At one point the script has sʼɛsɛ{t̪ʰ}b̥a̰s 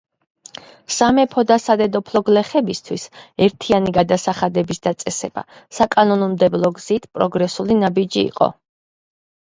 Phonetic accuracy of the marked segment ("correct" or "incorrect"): incorrect